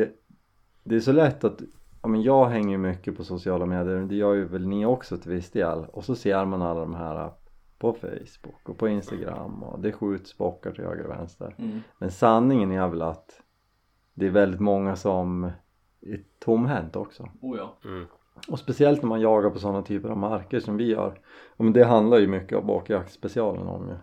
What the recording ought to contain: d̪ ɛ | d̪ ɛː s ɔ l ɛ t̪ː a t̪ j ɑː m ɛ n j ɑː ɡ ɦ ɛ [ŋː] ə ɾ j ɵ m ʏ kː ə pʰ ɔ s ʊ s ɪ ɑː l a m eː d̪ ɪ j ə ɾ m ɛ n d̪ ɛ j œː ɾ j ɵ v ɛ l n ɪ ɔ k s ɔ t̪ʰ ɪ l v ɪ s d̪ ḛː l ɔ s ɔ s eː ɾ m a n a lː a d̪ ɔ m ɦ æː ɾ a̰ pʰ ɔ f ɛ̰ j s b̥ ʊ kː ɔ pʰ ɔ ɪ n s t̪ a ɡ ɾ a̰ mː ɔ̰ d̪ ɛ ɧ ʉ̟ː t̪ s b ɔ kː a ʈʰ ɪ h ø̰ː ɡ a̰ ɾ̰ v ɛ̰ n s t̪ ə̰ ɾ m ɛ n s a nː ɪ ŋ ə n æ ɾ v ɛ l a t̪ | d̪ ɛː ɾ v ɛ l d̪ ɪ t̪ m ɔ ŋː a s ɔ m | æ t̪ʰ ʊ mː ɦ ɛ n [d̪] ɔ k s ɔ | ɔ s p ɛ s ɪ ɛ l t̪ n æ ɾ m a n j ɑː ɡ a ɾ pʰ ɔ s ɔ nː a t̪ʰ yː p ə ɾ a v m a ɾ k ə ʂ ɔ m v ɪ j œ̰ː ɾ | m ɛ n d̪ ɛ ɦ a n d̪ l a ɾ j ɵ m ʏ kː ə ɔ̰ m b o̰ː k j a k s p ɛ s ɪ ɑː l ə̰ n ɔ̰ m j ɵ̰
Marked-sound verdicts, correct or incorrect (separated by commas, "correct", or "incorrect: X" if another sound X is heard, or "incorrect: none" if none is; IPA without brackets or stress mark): correct, incorrect: t̪